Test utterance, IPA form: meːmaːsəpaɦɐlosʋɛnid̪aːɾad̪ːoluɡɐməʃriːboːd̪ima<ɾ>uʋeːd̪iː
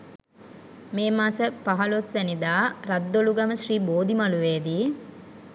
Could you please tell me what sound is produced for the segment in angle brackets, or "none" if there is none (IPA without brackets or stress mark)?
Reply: l